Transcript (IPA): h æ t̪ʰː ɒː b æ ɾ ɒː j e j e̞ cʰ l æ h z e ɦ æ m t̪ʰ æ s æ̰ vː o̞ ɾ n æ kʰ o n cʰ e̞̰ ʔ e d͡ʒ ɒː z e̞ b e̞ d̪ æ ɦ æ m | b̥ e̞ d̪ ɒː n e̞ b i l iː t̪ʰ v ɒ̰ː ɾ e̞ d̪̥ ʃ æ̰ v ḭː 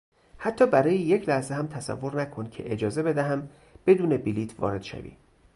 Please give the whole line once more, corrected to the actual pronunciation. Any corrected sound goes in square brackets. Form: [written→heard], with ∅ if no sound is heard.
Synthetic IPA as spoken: h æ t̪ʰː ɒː b æ ɾ ɒː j e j e̞ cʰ l æ h z e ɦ æ m t̪ʰ æ s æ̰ vː o̞ ɾ n æ kʰ o n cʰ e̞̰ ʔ e d͡ʒ ɒː z e̞ b e̞ d̪ æ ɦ æ m | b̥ e̞ d̪ [ɒː→uː] n e̞ b i l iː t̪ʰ v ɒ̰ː ɾ e̞ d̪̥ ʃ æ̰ v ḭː